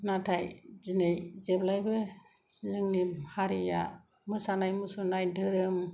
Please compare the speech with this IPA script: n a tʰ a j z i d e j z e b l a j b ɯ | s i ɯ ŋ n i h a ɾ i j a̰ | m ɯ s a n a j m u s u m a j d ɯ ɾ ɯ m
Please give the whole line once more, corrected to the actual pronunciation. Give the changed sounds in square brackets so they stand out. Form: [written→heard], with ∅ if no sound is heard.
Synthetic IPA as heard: n a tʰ a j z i [d→n] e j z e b l a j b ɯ | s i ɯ ŋ n i h a ɾ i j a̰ | m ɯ s a n a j m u s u [m→n] a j d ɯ ɾ ɯ m